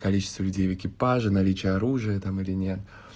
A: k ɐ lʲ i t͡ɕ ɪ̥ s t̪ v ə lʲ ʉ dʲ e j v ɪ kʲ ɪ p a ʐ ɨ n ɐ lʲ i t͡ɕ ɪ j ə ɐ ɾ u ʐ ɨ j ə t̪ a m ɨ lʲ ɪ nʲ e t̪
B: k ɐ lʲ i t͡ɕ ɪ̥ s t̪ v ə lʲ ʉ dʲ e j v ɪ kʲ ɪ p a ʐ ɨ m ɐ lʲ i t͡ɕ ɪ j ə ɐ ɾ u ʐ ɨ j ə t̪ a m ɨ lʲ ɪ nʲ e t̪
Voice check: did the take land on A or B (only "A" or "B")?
A